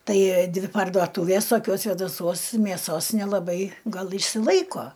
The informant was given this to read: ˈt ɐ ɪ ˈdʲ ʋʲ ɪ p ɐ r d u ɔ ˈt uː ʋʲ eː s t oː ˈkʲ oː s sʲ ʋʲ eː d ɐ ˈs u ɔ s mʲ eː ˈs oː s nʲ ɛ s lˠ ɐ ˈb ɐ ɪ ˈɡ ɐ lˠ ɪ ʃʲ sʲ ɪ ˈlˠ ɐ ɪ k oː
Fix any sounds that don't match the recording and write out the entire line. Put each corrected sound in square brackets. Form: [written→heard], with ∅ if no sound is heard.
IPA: ˈt ɐ ɪ ˈdʲ ʋʲ ɪ p ɐ r d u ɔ ˈt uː ʋʲ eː s t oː ˈkʲ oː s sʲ ʋʲ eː d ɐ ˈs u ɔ s mʲ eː ˈs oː s nʲ ɛ [s→∅] lˠ ɐ ˈb ɐ ɪ ˈɡ ɐ lˠ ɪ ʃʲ sʲ ɪ ˈlˠ ɐ ɪ k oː